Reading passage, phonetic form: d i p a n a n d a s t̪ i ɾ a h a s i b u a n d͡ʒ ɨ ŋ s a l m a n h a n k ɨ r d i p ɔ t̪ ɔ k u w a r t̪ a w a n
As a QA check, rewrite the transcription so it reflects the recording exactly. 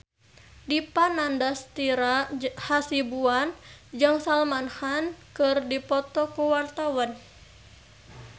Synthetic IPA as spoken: d i p a n a n d a s t̪ i ɾ a h a s i b u a n d͡ʒ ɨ ŋ s a l m a n h a n k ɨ r d i p ɔ t̪ ɔ k u w a r t̪ a w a n

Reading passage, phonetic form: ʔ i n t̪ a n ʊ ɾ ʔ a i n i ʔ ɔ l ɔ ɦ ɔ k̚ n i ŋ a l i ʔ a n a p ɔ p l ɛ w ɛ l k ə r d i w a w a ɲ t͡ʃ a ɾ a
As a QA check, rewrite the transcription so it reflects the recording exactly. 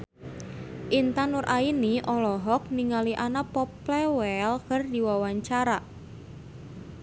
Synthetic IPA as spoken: ʔ i n t̪ a n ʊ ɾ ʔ a i n i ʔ ɔ l ɔ ɦ ɔ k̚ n i ŋ a l i ʔ a n a p ɔ p l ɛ w ɛ l k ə r d i w a w a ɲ t͡ʃ a ɾ a

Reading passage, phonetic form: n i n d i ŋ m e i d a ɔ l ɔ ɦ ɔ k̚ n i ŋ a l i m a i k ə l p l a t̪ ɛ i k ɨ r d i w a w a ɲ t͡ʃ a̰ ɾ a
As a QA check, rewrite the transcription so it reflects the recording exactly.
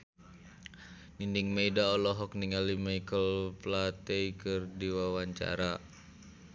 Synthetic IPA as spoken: n i n d i ŋ m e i d a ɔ l ɔ ɦ ɔ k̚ n i ŋ a l i m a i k ə l p l a t̪ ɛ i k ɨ r d i w a w a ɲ t͡ʃ a̰ ɾ a

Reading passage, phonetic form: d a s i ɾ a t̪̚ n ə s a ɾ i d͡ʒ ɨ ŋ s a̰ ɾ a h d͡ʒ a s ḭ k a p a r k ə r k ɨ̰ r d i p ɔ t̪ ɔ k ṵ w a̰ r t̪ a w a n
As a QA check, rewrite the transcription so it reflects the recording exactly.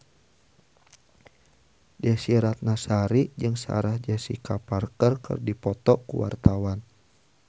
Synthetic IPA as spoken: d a s i ɾ a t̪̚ n a s a ɾ i d͡ʒ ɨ ŋ s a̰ ɾ a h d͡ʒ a s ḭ k a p a r k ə r k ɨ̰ r d i p ɔ t̪ ɔ k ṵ w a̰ r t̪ a w a n

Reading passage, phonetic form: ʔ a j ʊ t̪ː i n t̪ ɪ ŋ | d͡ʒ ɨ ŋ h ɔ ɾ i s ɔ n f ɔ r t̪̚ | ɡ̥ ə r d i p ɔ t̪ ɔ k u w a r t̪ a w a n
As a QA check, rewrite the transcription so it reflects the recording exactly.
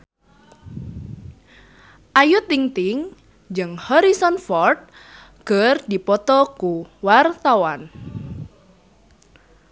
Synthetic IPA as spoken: ʔ a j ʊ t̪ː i ŋ t̪ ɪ ŋ | d͡ʒ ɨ ŋ h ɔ ɾ i s ɔ n f ɔ r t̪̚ | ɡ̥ ə r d i p ɔ t̪ ɔ k u w a r t̪ a w a n

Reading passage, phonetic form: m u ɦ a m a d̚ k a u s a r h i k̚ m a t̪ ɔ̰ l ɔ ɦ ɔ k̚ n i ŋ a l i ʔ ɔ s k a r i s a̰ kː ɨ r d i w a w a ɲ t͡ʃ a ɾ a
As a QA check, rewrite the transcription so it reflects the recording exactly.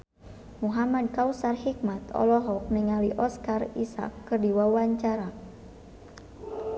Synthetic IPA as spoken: m u ɦ a m a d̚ k a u s a r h i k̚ m a t̪ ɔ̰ l ɔ ɦ ɔ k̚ n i ŋ a l i ʔ ɔ s k a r i s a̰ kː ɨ r d i w a w a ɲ t͡ʃ a ɾ a

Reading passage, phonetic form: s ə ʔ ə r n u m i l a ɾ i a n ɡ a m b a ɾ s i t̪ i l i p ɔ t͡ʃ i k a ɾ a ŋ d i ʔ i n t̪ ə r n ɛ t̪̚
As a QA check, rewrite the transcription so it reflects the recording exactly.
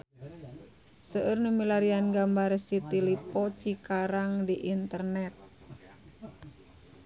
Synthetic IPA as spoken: s ə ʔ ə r n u m i l a ɾ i a n ɡ a m b a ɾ s i t̪ i l i p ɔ t͡ʃ i k a ɾ a ŋ d i ʔ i n t̪ ə r n ɛ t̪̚

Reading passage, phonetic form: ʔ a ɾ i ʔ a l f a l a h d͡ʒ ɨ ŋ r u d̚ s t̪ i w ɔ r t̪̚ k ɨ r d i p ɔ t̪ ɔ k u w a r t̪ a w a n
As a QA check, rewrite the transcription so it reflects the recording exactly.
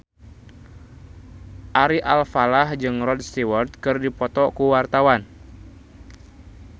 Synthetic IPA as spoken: ʔ a ɾ i ʔ a l f a l a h d͡ʒ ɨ ŋ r ɔ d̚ s t̪ i w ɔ r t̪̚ k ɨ r d i p ɔ t̪ ɔ k u w a r t̪ a w a n

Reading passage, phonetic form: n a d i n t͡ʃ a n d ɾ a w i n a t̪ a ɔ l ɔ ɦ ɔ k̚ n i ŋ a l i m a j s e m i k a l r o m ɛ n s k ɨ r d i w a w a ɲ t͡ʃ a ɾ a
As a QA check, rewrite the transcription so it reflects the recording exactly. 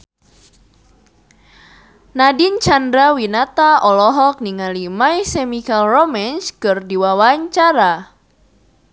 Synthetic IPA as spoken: n a d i n t͡ʃ a n d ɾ a w i n a t̪ a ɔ l ɔ ɦ ɔ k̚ n i ŋ a l i m a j s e m i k a l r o m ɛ n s k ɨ r d i w a w a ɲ t͡ʃ a ɾ a

